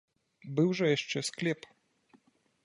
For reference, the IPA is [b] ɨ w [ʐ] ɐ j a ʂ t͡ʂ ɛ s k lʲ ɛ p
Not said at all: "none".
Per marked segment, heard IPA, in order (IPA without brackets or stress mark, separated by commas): b, ʐ